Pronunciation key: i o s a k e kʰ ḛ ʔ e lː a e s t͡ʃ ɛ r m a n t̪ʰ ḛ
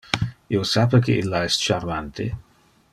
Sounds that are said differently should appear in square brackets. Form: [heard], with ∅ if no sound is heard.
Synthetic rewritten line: i o s a [p] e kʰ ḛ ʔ [i] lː a [ɛ] s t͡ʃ [a] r m a n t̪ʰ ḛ